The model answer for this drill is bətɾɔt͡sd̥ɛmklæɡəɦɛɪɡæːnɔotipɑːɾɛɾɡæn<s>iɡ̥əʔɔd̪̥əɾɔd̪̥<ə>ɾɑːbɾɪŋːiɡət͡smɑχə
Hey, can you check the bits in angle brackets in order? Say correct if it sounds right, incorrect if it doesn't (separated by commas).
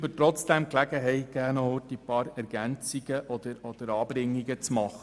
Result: incorrect, correct